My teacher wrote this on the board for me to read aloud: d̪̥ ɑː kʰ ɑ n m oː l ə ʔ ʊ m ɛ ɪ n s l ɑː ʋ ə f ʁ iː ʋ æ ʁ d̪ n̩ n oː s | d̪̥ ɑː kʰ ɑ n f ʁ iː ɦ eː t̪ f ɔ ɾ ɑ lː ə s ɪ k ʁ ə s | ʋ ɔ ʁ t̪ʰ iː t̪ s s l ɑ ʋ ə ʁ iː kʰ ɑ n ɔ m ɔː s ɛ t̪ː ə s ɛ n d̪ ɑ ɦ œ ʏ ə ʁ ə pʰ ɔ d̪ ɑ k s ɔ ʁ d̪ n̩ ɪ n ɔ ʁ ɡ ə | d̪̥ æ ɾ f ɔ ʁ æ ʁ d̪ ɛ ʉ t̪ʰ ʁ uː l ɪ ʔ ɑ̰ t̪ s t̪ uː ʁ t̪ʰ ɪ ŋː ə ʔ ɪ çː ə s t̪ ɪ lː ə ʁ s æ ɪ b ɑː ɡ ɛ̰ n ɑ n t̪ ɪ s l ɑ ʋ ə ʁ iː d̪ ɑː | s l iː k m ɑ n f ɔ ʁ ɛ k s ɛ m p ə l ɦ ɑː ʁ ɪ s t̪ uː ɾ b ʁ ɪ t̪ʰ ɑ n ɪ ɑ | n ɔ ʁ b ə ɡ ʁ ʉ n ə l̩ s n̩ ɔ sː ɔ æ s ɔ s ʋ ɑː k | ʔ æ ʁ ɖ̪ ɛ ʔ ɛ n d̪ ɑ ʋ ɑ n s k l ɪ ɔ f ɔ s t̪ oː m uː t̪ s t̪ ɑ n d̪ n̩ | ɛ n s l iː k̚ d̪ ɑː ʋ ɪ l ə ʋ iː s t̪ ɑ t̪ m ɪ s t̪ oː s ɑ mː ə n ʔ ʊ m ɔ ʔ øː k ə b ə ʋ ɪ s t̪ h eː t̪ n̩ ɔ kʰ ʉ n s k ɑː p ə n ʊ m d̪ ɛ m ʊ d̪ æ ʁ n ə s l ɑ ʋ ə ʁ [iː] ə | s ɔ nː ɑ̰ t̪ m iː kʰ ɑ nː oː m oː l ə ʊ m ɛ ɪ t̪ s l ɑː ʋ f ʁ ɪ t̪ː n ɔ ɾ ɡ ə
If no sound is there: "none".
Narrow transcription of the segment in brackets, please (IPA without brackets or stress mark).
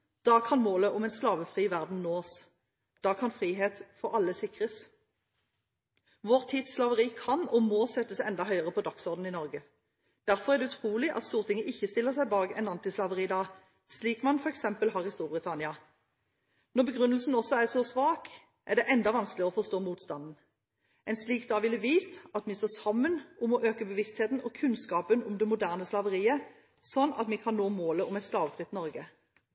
iː